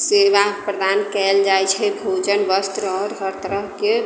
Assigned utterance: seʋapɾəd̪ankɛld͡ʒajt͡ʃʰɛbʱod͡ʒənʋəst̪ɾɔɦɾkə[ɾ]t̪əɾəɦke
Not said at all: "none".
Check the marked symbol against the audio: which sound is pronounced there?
ɾ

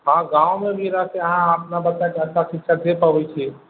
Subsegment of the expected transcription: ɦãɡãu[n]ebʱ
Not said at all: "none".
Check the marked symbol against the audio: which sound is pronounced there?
m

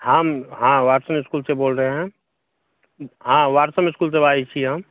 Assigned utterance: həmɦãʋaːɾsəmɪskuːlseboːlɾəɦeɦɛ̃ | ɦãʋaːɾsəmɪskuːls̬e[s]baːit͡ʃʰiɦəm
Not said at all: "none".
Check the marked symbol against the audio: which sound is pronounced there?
none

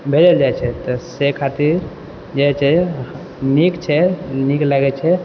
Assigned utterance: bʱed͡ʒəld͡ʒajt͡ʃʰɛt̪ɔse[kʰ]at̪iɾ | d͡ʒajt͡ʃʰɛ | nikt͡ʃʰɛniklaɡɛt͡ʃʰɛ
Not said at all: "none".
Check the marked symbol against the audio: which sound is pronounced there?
kʰ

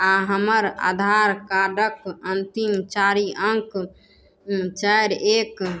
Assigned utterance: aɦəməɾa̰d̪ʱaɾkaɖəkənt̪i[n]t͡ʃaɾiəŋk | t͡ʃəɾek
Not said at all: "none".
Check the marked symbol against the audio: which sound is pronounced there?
m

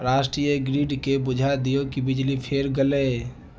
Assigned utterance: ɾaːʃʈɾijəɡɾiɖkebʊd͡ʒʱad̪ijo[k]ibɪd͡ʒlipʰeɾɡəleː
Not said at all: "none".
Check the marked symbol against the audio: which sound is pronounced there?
k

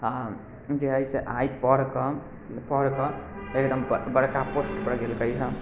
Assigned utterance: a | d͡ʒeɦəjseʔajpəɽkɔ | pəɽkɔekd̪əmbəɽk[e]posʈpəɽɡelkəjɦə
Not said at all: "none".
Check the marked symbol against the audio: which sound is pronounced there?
a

